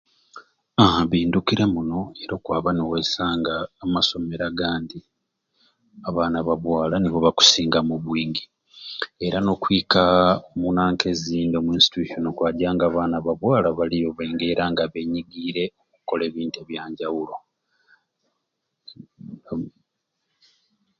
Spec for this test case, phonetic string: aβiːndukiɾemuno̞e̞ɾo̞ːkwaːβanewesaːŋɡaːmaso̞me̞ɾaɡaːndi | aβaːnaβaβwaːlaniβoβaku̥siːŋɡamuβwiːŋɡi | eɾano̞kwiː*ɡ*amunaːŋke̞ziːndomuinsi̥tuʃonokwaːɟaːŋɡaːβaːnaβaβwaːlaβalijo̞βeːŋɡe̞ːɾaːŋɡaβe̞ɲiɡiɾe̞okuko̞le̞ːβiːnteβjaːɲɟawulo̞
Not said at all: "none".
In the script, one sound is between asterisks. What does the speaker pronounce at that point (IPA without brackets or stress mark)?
k